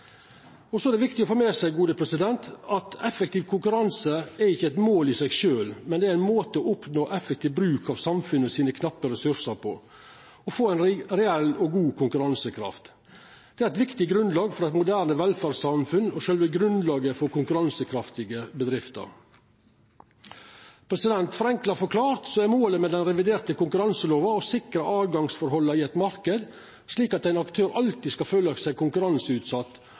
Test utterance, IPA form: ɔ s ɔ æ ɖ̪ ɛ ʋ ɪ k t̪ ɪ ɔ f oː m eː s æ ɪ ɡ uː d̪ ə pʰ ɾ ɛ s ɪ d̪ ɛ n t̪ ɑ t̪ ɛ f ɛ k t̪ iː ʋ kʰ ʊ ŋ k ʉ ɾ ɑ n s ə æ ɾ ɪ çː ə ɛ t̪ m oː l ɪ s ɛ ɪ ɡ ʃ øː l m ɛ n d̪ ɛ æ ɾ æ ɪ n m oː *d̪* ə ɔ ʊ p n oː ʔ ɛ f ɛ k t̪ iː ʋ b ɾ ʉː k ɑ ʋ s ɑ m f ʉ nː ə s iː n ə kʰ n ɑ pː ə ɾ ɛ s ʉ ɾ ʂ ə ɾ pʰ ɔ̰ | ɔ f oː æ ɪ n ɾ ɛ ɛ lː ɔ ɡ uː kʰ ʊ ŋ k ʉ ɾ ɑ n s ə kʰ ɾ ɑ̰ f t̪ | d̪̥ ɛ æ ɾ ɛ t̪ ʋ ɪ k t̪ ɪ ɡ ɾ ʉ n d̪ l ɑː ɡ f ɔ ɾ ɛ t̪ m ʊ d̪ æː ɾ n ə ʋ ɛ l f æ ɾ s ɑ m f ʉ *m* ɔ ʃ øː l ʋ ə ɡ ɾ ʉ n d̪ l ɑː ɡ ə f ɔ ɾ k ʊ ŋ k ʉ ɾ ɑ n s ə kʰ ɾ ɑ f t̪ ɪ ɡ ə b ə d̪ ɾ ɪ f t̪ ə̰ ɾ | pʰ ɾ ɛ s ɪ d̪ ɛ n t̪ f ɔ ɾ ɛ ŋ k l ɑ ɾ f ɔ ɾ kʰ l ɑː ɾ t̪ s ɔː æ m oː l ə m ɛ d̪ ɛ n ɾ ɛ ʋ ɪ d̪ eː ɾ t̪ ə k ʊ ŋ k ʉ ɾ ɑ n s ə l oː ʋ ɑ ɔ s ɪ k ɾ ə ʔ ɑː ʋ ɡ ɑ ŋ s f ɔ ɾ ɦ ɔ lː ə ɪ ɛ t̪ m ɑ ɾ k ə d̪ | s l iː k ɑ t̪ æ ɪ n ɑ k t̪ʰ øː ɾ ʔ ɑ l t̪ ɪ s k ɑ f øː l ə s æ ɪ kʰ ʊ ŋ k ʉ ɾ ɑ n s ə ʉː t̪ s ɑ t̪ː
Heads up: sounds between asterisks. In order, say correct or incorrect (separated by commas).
incorrect, incorrect